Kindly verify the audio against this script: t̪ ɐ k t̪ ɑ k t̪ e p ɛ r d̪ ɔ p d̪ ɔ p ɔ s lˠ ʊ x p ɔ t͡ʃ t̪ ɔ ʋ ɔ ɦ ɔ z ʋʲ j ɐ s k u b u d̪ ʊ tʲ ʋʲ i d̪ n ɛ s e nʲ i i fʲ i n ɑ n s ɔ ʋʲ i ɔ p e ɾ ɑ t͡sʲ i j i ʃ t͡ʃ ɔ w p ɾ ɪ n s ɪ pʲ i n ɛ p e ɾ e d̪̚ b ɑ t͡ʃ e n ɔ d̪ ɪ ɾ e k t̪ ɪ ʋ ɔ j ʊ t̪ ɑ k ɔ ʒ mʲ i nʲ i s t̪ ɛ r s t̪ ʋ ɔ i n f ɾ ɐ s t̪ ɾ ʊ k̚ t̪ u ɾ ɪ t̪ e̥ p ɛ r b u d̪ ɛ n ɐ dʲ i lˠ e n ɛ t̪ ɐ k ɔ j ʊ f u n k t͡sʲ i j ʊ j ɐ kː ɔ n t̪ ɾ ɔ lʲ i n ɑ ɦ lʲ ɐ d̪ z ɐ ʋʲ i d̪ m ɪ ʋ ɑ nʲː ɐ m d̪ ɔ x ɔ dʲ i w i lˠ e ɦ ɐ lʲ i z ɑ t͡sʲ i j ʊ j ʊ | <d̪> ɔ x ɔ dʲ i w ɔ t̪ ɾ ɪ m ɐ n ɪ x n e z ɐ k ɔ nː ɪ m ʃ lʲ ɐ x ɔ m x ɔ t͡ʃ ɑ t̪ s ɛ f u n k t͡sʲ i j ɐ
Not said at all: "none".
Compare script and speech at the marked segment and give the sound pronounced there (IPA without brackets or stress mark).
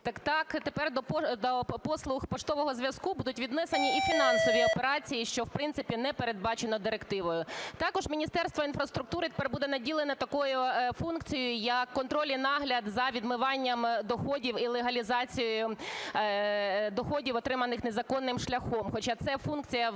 d̪